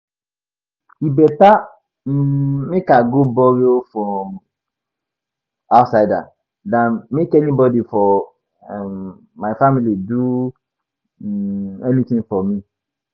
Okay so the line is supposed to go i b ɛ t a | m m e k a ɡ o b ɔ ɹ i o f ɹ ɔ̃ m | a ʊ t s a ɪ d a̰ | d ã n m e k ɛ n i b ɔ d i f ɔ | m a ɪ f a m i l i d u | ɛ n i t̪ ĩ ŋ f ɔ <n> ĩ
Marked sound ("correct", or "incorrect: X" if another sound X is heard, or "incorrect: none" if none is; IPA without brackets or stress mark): incorrect: m